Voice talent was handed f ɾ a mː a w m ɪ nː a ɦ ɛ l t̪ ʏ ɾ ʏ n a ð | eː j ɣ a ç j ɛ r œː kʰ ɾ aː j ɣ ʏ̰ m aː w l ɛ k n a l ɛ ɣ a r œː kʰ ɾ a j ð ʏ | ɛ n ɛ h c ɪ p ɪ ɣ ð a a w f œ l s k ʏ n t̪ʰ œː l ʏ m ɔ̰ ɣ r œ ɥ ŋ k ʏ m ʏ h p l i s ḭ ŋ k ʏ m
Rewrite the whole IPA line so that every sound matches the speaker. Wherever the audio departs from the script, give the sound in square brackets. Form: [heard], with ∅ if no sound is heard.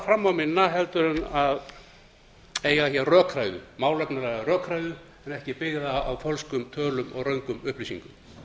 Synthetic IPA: f ɾ a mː a w m ɪ nː a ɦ ɛ l t̪ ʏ ɾ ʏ n a ð | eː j ɣ a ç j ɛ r œː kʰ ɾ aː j [ð] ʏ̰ m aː w l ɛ k n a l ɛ ɣ a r œː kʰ ɾ a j ð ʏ | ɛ n ɛ h c ɪ p ɪ ɣ ð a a w f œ l s k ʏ [m] t̪ʰ œː l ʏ m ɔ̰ ɣ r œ ɥ ŋ k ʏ m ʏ h p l i s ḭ ŋ k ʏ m